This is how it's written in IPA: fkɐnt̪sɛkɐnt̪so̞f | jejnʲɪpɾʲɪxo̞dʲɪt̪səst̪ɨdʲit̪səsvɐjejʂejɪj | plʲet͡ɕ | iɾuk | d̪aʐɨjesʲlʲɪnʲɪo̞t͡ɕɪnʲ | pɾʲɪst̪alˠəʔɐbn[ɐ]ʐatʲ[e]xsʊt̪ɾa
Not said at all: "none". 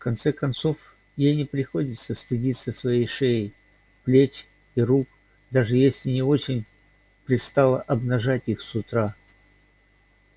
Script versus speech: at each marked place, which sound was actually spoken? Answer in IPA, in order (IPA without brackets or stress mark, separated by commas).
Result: ɐ, i